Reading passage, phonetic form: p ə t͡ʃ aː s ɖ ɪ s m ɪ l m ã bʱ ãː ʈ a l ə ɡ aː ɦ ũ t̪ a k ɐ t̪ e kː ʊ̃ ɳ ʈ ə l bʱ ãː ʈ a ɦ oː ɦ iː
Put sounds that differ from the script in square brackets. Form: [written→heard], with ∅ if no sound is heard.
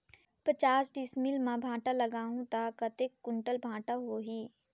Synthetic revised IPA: p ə t͡ʃ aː s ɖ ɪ s m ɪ l m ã bʱ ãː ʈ a l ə ɡ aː ɦ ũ t̪ a k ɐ t̪ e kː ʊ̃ ɳ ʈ ə l bʱ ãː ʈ a ɦ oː ɦ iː

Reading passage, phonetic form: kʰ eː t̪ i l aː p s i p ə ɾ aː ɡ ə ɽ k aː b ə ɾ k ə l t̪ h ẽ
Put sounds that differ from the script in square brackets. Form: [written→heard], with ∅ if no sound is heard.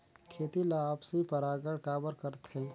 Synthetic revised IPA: kʰ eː t̪ i l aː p s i p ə ɾ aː ɡ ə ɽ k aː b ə ɾ k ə [l→ɾ] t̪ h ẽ

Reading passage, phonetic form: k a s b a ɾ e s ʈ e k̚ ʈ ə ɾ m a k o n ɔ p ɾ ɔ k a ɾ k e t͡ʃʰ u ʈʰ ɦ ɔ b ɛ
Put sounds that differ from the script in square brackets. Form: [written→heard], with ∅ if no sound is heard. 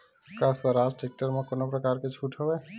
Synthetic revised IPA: k a s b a ɾ [e→a] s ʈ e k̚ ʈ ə ɾ m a k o n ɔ p ɾ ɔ k a ɾ k e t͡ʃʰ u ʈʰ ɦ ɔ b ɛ

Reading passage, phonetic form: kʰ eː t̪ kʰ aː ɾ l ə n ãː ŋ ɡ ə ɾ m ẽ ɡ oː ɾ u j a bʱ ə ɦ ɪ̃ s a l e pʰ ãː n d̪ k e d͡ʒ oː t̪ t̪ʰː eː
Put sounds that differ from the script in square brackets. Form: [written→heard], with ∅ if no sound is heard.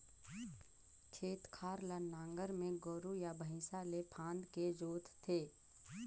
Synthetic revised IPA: kʰ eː t̪ kʰ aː ɾ l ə n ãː ŋ ɡ ə ɾ m ẽ ɡ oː ɾ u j a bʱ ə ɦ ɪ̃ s a l e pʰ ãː n d̪ k e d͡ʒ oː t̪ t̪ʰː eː

